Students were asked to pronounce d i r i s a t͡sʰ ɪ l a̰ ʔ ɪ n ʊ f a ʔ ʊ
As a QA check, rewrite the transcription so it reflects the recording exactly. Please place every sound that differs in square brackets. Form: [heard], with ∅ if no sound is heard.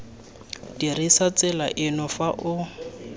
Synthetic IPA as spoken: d i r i s a [t͡s] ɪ l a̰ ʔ ɪ n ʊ f a ʔ ʊ